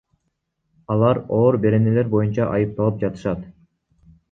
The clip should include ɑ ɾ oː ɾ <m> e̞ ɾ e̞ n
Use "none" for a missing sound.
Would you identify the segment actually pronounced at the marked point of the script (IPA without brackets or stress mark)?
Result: b